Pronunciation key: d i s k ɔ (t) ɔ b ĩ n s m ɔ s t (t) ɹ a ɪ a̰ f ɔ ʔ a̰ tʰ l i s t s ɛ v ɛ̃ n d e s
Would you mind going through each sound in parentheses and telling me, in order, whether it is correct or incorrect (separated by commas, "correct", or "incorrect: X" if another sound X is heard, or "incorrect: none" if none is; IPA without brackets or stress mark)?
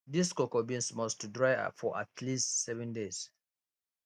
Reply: incorrect: k, incorrect: d